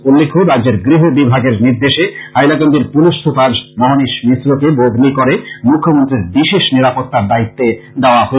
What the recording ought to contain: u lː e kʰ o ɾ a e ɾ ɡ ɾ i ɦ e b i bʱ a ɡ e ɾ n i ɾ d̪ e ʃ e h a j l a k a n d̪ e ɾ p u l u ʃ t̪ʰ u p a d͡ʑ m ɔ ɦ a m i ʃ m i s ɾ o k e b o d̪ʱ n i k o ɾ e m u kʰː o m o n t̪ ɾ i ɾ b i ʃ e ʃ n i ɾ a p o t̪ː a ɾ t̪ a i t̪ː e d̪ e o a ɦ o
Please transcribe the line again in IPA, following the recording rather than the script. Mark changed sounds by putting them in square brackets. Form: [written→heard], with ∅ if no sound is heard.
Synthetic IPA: u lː e kʰ o ɾ a e ɾ ɡ ɾ i ɦ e b i bʱ a ɡ e ɾ n i ɾ d̪ e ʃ e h a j l a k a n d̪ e ɾ p u l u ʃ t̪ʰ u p a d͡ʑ m ɔ ɦ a [m→n] i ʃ m i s ɾ o k e b o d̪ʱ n i k o ɾ e m u kʰː o m o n t̪ ɾ i ɾ b i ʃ e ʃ n i ɾ a p o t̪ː a ɾ [t̪→d̪] a i t̪ː e d̪ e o a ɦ o